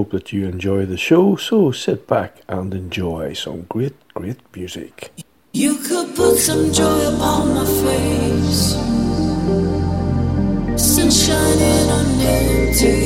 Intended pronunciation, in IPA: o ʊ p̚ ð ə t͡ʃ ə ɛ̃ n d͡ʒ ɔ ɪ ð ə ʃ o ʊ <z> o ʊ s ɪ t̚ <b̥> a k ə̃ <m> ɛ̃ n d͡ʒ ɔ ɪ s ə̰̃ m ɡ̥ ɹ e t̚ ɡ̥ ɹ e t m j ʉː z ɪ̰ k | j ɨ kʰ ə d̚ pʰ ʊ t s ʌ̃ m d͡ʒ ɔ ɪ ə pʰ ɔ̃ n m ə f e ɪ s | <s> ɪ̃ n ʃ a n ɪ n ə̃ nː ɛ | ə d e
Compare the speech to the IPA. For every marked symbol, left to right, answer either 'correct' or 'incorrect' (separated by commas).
incorrect, correct, incorrect, correct